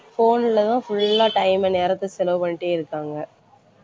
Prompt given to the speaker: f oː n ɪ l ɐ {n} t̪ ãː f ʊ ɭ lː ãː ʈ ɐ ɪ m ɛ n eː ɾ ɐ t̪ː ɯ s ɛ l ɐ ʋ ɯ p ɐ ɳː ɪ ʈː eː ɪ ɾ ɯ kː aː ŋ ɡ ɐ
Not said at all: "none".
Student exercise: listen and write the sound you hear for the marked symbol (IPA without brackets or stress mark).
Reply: none